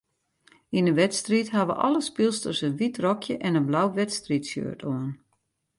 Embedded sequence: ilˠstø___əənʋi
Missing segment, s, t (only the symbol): s